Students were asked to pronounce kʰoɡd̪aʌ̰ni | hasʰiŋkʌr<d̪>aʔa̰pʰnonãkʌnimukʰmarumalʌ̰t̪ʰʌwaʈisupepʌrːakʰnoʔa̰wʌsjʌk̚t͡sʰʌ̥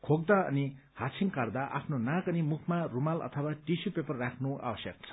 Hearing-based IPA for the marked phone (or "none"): d̪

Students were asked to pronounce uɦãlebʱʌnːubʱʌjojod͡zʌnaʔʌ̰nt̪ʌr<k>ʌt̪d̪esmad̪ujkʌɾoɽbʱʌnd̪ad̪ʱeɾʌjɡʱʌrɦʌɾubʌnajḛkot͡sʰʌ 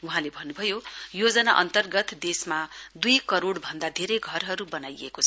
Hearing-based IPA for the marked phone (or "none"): ɡ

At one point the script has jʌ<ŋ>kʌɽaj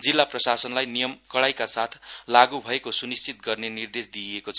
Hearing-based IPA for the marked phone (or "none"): m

